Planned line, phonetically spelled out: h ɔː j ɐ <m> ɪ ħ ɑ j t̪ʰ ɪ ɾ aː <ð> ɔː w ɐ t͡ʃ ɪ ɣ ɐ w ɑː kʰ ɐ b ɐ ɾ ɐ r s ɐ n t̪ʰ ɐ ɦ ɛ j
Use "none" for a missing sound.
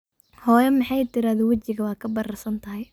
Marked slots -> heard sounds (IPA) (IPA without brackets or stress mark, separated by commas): m, ð